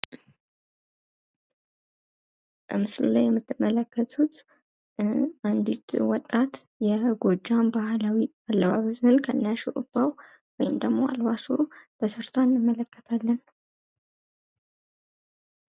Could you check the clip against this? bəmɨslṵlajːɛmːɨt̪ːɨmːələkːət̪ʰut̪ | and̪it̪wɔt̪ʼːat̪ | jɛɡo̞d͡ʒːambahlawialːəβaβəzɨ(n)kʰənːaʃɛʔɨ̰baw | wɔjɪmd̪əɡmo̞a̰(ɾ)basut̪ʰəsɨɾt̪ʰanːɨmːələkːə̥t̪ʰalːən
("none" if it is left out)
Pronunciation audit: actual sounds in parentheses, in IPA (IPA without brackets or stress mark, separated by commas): n, l